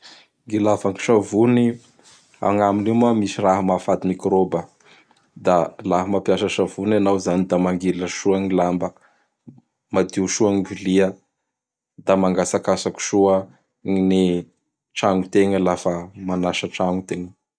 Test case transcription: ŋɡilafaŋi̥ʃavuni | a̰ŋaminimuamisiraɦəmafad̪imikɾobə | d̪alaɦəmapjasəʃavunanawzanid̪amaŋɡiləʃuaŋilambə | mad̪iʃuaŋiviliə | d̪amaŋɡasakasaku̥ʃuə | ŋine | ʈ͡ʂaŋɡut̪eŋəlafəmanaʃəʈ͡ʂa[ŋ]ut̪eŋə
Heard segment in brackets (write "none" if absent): ŋ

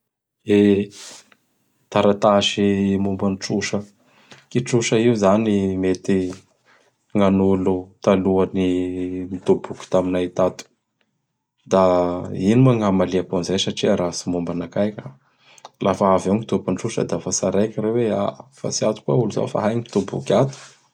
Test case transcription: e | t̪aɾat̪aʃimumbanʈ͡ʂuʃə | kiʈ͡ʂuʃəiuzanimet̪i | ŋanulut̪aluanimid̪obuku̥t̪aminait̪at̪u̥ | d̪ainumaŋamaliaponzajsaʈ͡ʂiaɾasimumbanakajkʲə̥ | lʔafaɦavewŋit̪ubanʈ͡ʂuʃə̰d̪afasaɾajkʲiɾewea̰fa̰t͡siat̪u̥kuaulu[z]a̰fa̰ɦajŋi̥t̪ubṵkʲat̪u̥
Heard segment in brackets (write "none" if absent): z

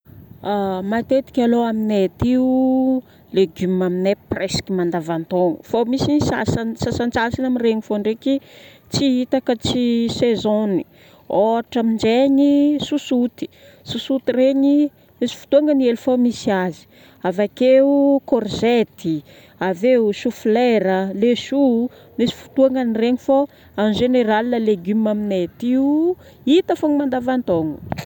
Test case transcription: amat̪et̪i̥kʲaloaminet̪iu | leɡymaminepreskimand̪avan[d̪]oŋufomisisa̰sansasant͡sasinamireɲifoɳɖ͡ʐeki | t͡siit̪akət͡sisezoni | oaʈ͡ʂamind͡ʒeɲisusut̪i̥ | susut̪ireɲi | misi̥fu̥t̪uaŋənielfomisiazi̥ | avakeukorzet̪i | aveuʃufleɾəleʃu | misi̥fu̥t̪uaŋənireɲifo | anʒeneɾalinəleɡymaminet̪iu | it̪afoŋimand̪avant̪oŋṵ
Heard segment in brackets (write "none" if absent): t̪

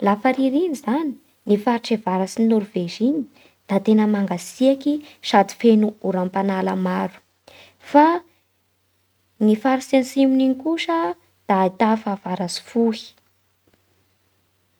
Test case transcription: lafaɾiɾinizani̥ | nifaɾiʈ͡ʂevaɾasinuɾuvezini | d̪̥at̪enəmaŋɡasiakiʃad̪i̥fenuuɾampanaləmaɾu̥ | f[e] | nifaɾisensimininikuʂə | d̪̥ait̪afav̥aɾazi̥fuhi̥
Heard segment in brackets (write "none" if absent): a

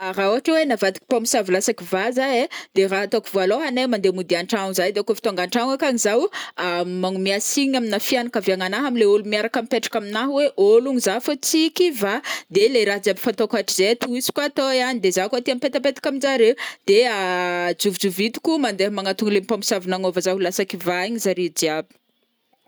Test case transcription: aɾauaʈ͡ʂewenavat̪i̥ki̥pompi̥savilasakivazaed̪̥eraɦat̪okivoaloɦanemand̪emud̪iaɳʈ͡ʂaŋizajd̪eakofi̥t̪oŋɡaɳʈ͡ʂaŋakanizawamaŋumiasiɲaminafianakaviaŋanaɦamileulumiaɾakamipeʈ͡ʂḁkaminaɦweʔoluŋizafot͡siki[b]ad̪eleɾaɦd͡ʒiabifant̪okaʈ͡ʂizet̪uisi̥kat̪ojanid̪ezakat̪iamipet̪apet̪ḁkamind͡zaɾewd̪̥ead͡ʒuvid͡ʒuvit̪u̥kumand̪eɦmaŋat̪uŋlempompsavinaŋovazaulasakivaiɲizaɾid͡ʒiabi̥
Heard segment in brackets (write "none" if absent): v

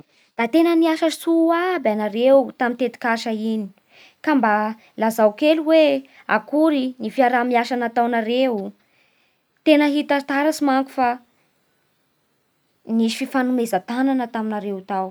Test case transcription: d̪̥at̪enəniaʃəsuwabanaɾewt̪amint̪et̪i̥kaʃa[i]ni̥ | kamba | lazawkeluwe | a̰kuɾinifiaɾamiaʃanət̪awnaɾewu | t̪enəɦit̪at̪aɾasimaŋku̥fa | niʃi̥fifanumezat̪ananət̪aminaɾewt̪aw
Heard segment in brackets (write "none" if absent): i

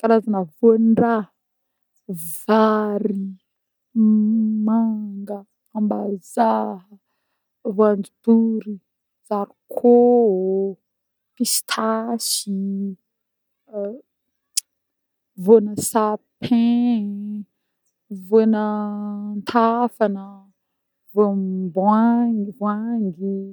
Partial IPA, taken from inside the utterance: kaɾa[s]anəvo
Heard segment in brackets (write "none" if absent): z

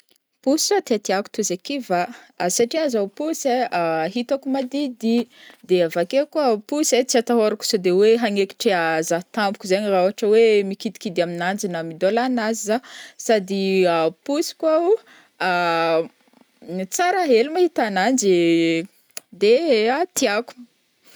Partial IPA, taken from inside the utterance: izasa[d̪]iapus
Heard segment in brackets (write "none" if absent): d̪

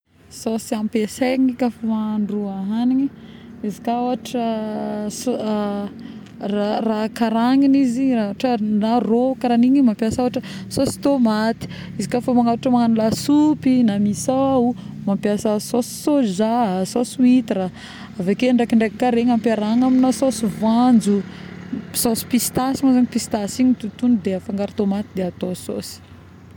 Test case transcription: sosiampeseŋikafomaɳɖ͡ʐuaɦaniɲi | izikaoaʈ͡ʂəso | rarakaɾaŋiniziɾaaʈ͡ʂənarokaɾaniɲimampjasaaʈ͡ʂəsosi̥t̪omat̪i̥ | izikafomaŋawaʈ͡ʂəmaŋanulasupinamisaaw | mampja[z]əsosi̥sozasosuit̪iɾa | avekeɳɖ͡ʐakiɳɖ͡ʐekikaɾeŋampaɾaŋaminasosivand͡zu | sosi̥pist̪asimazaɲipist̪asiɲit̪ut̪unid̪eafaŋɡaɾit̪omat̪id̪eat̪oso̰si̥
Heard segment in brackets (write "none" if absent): s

